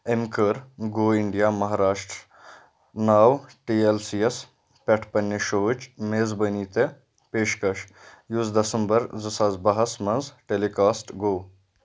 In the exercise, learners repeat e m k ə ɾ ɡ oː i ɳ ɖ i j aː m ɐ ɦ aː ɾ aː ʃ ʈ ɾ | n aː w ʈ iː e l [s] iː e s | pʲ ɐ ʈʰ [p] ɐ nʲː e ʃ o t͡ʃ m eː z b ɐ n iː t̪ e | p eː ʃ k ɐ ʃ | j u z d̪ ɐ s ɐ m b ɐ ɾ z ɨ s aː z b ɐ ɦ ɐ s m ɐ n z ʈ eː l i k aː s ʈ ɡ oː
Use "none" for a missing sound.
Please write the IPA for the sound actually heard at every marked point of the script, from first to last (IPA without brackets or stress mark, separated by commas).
s, p